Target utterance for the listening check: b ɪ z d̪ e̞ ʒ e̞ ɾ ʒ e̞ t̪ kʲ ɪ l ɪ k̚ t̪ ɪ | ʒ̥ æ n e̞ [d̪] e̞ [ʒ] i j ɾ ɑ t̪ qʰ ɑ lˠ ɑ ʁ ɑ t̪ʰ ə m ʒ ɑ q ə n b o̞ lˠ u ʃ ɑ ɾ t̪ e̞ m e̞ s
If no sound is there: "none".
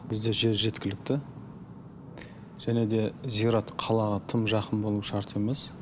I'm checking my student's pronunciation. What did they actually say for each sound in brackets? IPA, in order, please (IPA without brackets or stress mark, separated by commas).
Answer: d̪, z